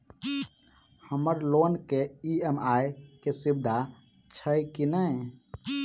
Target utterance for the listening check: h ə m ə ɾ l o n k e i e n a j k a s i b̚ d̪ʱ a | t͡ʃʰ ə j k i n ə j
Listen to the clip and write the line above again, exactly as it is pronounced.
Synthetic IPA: h ə m ə ɾ l o n k e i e m a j k e s i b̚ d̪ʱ a | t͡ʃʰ ə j k i n ə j